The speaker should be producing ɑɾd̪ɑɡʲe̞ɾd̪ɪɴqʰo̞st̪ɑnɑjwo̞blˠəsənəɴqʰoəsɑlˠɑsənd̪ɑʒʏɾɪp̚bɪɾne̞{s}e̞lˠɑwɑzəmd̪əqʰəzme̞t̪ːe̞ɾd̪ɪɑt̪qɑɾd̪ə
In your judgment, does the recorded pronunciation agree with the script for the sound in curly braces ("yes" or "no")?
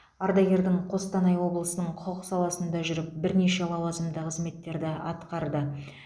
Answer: no